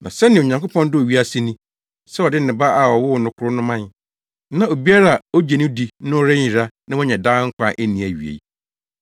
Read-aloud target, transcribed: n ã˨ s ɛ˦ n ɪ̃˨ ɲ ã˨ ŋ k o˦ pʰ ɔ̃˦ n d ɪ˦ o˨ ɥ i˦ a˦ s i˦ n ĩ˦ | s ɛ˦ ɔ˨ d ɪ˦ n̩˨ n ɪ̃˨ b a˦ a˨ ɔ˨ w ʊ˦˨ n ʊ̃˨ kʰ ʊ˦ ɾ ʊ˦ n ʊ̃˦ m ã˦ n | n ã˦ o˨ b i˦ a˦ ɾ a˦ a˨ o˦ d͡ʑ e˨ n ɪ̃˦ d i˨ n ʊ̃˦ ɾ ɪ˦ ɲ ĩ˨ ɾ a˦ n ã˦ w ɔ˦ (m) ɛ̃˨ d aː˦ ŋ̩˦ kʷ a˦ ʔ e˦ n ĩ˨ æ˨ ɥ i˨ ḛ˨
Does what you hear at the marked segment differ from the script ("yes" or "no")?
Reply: yes